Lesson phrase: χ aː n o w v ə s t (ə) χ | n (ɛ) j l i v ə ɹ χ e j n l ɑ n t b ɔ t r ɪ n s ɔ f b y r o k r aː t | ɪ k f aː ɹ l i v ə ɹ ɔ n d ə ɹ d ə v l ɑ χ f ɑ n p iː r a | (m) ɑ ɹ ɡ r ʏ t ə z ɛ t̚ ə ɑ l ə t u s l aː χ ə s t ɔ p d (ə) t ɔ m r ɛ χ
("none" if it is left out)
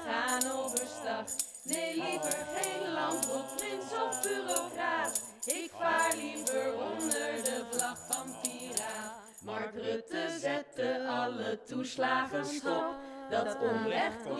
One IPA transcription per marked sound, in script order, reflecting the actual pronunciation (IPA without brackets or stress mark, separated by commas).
ɑ, e, m, ɑ